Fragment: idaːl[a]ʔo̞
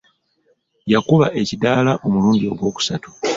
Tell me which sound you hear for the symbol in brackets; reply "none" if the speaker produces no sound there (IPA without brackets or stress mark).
a